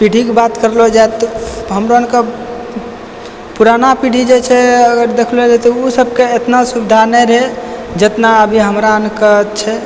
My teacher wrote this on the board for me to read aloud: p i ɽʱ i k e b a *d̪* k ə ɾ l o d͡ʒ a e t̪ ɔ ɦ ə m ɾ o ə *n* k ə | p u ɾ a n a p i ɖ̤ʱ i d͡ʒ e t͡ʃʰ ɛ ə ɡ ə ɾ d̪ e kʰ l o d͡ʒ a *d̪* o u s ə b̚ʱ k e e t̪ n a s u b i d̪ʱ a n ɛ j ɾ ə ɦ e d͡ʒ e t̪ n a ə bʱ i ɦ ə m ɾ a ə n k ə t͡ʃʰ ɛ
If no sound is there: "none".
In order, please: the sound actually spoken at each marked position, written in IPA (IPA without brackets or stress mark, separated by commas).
t̪, n, t̪